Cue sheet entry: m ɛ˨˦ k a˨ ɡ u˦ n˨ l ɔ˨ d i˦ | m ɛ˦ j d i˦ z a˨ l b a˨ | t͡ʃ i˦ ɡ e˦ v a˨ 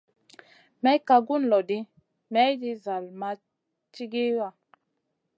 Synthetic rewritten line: m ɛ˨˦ k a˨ ɡ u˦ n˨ l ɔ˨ d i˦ | m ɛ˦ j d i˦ z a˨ l m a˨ | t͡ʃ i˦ ɡ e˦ w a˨